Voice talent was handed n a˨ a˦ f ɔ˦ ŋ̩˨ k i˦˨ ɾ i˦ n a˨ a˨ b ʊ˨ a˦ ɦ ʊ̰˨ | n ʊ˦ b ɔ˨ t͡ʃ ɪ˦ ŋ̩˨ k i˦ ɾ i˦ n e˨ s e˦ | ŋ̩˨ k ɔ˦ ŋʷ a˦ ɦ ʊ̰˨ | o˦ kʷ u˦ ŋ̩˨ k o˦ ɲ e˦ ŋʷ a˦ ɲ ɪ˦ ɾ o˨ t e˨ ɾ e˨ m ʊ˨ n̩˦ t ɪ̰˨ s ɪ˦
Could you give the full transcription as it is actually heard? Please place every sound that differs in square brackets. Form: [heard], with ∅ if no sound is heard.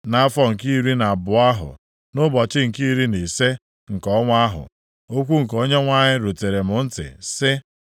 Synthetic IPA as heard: n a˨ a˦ f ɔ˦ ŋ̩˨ k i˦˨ ɾ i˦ n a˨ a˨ b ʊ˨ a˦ ɦ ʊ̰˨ | n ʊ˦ b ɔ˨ t͡ʃ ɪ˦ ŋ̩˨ k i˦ ɾ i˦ n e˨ s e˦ | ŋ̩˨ k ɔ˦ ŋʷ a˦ ɦ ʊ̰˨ | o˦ kʷ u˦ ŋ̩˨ k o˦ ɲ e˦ ŋʷ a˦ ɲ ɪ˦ ɾ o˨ t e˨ ɾ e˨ m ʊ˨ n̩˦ t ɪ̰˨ s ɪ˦